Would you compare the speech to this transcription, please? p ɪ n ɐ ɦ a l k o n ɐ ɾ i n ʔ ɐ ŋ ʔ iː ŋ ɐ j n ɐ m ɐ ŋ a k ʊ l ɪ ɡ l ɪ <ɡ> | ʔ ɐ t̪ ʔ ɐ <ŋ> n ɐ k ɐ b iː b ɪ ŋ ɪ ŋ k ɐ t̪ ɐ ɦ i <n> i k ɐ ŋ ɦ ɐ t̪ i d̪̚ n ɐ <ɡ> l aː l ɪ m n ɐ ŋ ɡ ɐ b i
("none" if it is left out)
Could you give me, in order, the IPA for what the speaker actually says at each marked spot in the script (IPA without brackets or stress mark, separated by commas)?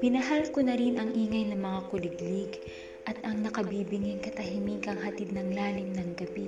ɡ, ŋ, m, ŋ